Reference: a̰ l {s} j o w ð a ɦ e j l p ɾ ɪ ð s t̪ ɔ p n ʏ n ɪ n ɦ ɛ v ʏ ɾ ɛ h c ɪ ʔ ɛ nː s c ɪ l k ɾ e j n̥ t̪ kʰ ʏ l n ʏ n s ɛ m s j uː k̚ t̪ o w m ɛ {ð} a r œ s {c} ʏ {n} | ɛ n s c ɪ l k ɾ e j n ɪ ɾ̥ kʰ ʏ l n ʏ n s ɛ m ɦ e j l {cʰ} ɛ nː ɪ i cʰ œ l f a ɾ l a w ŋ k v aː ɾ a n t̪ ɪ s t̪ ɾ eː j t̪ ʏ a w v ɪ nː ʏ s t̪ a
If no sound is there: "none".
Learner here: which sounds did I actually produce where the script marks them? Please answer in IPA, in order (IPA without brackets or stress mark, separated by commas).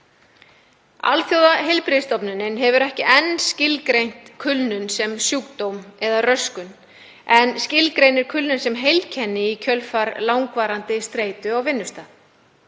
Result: θ, ð, k, n, cʰ